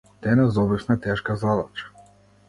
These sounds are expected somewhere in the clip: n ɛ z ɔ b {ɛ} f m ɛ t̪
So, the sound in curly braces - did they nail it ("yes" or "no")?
no